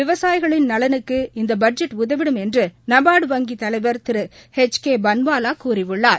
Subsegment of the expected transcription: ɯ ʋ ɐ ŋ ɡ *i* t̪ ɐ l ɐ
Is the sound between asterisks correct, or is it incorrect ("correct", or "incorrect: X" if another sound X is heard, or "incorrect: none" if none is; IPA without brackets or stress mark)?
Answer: correct